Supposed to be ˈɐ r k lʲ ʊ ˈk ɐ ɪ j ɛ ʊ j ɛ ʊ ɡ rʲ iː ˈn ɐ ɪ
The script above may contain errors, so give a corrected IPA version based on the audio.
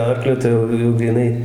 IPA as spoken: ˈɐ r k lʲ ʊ ˈt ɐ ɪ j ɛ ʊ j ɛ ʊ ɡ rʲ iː ˈn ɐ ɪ